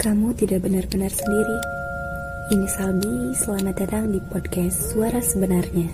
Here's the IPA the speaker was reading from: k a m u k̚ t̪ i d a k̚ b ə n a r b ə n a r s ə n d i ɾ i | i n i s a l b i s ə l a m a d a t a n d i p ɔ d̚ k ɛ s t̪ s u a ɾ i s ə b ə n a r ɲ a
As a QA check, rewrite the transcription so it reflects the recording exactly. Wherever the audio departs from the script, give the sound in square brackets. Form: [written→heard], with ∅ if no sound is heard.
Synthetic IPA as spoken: k a m u [k̚→∅] t̪ i d a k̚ b ə n a r b ə n a r s ə n d i ɾ i | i n i s a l b i s ə l a m a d a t a [n→ŋ] d i p ɔ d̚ k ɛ s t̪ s u a ɾ [i→a] s ə b ə n a r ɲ a